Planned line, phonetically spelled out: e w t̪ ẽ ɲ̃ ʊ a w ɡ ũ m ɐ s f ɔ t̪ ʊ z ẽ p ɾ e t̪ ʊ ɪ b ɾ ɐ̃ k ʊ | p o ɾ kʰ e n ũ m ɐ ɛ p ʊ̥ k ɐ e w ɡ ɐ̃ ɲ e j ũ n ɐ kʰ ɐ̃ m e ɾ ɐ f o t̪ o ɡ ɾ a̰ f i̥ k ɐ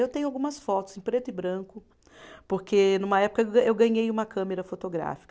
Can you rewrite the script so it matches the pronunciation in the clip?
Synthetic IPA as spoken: e w t̪ ẽ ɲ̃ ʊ a w ɡ ũ m ɐ s f ɔ t̪ ʊ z ẽ p ɾ e t̪ ʊ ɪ b ɾ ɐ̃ k ʊ | p o ɾ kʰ e n ũ m ɐ ɛ p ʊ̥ k ɐ e w ɡ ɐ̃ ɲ e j ũ m ɐ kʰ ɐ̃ m e ɾ ɐ f o t̪ o ɡ ɾ a̰ f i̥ k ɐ